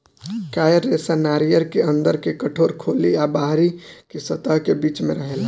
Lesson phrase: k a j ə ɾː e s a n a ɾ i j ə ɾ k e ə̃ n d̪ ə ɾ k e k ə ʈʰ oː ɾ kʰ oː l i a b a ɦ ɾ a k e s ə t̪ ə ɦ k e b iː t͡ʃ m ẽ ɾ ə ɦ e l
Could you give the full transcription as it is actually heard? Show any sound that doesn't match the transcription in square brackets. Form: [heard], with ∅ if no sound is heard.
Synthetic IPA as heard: k a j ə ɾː e s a n a ɾ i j ə ɾ k e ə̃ n d̪ ə ɾ k e k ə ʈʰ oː ɾ kʰ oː l i a b a ɦ ɾ [i] k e s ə t̪ ə ɦ k e b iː t͡ʃ m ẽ ɾ ə ɦ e l